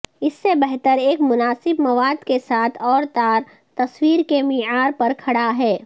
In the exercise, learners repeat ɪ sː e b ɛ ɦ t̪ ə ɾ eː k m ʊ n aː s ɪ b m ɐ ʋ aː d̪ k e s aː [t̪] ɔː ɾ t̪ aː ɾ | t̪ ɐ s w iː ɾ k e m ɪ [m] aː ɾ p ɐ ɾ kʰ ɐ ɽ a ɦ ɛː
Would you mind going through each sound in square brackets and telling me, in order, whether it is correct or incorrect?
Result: incorrect, incorrect

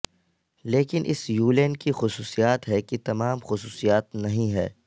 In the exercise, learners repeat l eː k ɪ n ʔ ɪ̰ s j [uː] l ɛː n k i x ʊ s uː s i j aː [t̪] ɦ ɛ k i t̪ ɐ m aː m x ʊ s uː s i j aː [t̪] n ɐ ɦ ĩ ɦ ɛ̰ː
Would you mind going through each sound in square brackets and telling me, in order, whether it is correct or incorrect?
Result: correct, correct, correct

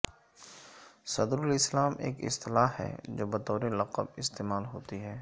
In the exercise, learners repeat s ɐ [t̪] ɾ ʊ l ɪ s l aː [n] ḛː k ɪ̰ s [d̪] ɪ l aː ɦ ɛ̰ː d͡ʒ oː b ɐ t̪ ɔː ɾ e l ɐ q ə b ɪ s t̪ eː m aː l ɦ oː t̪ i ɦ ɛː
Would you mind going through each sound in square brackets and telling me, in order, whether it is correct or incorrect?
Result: incorrect, incorrect, incorrect

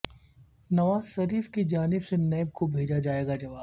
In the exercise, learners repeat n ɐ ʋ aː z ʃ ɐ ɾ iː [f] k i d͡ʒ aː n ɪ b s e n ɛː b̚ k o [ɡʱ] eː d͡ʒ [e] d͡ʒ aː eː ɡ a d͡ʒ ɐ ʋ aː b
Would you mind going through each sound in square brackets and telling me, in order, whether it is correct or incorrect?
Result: correct, incorrect, incorrect

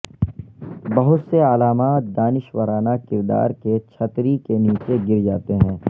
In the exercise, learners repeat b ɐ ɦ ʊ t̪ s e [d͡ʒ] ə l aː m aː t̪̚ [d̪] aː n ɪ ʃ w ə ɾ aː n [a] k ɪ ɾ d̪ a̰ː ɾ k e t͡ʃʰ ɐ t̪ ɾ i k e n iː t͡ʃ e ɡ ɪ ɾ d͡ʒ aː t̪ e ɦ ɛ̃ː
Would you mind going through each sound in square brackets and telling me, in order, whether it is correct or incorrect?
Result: incorrect, correct, correct

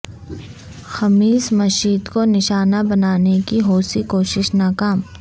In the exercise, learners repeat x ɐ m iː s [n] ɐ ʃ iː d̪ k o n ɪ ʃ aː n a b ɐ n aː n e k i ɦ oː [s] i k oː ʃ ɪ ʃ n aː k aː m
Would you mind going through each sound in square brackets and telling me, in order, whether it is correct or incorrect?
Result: incorrect, correct

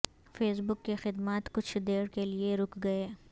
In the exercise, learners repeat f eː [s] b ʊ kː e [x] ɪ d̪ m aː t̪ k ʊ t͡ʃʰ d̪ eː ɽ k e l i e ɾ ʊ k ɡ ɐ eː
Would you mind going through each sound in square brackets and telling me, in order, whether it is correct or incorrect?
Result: correct, correct

